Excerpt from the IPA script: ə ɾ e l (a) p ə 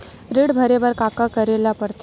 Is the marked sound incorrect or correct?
correct